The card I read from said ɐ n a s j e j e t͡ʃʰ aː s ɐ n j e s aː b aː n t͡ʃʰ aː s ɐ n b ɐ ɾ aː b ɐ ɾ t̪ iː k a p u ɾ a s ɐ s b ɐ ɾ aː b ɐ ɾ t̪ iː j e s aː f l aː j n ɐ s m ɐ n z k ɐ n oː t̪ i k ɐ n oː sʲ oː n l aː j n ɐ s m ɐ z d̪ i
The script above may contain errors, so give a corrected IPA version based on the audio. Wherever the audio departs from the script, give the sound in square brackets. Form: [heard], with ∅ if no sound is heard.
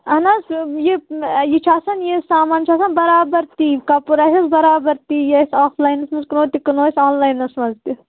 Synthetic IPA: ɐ n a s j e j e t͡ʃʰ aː s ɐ n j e s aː [m] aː n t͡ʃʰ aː s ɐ n b ɐ ɾ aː b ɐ ɾ t̪ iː k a p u ɾ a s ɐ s b ɐ ɾ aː b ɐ ɾ t̪ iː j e s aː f l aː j n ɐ s m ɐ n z k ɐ n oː t̪ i k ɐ n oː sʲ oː n l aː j n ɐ s m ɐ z [t̪] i

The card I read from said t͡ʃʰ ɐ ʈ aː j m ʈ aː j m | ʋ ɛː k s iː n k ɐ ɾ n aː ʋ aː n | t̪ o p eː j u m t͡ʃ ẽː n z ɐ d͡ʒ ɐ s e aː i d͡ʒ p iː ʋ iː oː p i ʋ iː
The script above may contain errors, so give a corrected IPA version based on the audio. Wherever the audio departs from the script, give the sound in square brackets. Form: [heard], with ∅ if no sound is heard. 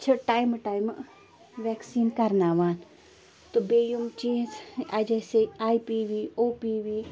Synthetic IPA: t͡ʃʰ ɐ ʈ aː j m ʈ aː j m | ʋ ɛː k s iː n k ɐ ɾ n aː ʋ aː n | t̪ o [b] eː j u m t͡ʃ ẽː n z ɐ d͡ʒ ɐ s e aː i [∅] p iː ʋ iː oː p i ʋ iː

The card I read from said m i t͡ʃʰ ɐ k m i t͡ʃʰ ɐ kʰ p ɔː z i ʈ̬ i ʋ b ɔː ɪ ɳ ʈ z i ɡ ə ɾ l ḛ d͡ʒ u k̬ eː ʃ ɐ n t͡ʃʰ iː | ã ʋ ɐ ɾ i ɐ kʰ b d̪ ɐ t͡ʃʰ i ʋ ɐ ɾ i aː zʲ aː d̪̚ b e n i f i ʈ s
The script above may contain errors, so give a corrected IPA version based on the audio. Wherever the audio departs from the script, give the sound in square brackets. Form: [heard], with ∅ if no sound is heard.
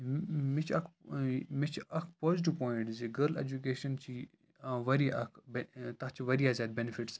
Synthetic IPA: m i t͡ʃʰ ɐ k m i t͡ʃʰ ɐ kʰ p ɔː z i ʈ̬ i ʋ [p] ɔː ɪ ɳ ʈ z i ɡ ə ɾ l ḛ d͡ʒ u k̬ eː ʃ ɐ n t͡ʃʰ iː | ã ʋ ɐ ɾ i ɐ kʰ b [t̪] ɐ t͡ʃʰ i ʋ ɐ ɾ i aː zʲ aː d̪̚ b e n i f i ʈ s

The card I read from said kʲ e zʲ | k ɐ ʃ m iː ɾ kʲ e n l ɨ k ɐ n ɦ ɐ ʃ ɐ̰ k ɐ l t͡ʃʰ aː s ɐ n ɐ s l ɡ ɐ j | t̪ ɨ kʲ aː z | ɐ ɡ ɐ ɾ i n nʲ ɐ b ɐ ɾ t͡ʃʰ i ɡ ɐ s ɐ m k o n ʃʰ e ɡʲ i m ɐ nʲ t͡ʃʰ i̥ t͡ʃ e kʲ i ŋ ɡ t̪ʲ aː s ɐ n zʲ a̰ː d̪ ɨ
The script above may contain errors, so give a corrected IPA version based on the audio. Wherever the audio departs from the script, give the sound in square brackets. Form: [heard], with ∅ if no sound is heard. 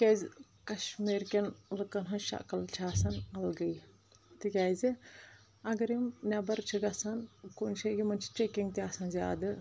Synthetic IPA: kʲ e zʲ | k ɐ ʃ m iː ɾ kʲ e n l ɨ k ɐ n ɦ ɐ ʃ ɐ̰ k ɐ l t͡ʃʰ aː s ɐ n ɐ [∅] l ɡ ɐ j | t̪ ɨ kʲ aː z | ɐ ɡ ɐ ɾ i [m] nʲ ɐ b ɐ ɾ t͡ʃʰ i ɡ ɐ s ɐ [n] k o n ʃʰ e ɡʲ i m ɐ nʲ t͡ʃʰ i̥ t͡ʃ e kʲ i ŋ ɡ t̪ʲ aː s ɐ n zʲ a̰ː d̪ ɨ

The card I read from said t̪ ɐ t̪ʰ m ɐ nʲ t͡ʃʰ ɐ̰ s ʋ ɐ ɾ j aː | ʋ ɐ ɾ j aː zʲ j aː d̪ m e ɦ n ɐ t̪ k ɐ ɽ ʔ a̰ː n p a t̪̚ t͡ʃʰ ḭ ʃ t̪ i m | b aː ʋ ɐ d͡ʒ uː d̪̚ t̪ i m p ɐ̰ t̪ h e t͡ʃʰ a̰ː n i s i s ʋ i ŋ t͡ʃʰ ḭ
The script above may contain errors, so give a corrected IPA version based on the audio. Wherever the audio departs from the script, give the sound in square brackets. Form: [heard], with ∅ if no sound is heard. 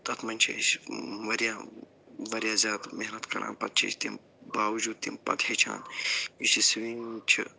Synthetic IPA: t̪ ɐ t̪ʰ m ɐ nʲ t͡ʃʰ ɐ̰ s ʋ ɐ ɾ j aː | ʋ ɐ ɾ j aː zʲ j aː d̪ m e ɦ n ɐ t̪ k ɐ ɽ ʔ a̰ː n p [ɐ] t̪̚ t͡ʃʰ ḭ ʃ t̪ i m | b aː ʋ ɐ d͡ʒ uː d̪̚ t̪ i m p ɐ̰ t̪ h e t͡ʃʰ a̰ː n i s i s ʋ i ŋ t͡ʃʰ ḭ

